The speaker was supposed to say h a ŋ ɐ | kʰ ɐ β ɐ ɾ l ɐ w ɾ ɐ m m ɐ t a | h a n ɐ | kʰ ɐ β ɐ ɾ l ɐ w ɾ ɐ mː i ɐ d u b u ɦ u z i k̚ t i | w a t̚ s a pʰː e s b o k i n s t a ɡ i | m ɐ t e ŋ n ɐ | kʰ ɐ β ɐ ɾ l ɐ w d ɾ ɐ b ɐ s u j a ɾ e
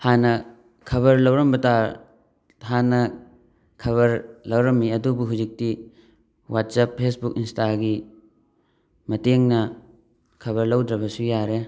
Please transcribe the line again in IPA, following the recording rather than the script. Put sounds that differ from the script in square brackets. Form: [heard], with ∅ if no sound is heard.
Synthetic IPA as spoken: h a [n] ɐ | kʰ ɐ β ɐ ɾ l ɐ w ɾ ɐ m [b] ɐ t a | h a n ɐ | kʰ ɐ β ɐ ɾ l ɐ w ɾ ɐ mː i ɐ d u b u ɦ u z i k̚ t i | w a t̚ s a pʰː e s b [u] k i n s t a ɡ i | m ɐ t e ŋ n ɐ | kʰ ɐ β ɐ ɾ l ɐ w d ɾ ɐ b ɐ s u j a ɾ e